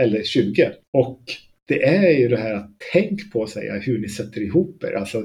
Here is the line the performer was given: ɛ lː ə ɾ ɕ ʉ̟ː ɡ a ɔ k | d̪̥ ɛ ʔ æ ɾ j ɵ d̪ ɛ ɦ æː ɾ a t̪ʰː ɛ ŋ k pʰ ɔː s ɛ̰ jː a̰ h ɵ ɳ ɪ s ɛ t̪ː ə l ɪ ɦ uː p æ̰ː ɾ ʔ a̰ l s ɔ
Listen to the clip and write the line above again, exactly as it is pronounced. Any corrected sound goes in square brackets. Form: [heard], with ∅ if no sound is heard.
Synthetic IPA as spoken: ɛ lː ə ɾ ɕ ʉ̟ː ɡ [ə] ɔ k | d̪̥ ɛ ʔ æ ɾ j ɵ d̪ ɛ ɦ æː ɾ a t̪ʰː ɛ ŋ k pʰ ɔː s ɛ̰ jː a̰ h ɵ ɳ ɪ s ɛ t̪ː ə [ɾ] ɪ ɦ uː p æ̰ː ɾ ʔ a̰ l s ɔ